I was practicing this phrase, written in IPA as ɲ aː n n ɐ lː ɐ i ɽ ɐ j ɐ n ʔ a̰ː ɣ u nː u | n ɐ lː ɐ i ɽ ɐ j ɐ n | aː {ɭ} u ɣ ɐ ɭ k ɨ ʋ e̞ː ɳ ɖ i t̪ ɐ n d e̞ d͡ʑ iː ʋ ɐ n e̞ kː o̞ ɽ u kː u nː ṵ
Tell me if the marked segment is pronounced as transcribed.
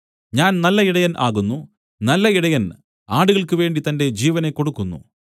no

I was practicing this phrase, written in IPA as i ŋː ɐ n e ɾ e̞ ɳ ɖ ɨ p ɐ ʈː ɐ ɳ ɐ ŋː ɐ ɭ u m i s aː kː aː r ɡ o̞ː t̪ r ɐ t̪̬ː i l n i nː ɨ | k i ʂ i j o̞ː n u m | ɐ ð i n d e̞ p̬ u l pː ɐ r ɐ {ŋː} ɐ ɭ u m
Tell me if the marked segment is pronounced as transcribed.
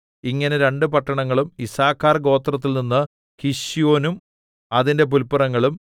yes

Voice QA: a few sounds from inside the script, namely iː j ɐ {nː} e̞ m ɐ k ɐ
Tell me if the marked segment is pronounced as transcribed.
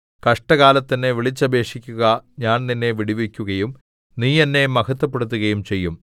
yes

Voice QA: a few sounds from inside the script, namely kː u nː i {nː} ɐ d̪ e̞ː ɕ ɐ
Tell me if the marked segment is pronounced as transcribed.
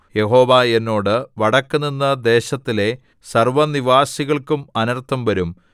yes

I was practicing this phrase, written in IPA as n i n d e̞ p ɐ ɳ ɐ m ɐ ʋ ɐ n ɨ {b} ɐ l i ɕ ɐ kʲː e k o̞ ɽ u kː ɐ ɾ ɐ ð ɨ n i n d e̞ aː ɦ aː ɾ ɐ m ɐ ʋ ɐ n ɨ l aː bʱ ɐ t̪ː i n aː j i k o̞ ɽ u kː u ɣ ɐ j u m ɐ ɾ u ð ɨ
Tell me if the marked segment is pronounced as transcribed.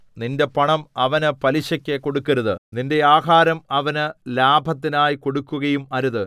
no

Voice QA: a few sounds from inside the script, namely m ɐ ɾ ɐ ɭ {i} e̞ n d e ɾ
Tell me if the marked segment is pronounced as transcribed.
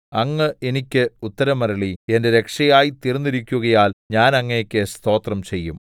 yes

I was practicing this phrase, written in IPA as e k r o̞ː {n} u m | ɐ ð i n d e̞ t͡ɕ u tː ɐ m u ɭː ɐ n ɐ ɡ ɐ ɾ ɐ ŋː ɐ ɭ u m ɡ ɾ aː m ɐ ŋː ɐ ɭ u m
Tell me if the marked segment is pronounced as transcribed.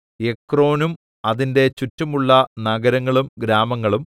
yes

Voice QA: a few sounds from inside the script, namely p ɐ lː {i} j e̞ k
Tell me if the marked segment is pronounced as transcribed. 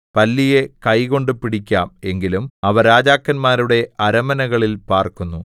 yes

